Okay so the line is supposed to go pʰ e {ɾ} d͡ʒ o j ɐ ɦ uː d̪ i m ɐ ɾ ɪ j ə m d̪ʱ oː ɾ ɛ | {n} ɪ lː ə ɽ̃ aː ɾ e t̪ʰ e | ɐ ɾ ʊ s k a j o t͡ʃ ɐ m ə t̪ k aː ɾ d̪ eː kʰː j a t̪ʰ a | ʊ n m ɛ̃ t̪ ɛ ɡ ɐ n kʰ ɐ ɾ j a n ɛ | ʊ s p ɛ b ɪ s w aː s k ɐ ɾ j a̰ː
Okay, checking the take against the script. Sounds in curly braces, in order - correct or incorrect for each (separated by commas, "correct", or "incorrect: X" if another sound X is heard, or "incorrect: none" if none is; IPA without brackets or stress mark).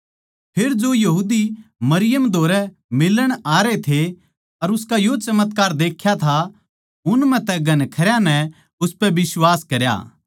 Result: correct, incorrect: m